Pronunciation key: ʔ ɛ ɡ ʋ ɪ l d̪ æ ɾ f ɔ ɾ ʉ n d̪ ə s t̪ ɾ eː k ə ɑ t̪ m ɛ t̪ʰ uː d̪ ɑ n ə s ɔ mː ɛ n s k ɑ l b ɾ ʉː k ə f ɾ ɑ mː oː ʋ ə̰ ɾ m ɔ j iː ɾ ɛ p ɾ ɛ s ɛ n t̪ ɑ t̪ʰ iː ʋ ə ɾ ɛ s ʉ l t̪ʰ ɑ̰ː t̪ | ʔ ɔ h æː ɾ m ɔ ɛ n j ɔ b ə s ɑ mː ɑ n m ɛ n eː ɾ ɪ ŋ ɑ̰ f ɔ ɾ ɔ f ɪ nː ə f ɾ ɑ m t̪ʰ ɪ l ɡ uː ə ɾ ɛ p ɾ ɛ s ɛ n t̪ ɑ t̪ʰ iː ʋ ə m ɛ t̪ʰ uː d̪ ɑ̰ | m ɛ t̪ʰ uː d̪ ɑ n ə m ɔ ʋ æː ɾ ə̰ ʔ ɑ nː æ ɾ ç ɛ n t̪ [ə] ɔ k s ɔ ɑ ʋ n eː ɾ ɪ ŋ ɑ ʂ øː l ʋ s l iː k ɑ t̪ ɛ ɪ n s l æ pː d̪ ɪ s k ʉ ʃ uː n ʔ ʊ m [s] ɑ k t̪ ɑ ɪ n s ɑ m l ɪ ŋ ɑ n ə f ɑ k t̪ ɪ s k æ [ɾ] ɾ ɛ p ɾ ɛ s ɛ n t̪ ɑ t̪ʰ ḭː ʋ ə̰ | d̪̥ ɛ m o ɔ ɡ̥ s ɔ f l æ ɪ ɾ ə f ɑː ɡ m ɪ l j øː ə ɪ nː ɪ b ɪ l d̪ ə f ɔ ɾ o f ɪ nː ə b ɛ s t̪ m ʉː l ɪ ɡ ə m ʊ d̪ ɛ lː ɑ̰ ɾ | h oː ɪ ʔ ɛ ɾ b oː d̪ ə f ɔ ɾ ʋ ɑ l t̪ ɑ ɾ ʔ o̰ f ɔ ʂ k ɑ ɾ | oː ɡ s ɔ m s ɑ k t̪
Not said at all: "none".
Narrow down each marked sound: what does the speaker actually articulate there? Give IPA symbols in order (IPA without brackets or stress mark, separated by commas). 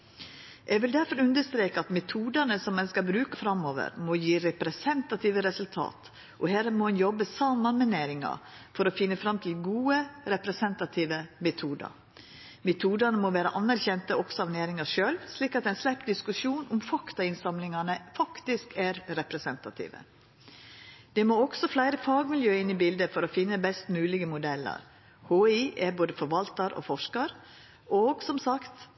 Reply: ə, f, ɾ